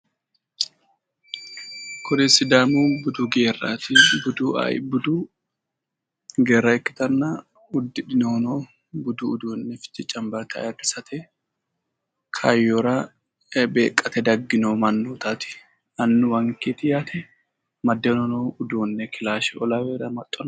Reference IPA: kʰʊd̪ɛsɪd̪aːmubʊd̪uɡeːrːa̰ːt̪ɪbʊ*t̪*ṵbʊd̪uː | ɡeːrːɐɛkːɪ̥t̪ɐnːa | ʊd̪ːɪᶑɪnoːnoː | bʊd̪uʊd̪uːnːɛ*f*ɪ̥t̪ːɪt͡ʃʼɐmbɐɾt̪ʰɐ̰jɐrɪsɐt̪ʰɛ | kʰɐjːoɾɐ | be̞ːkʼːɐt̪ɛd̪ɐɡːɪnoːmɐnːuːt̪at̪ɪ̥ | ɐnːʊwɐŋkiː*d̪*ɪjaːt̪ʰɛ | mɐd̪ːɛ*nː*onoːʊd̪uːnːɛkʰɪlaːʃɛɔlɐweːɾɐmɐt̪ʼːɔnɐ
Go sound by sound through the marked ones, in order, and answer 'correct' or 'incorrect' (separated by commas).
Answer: incorrect, correct, incorrect, incorrect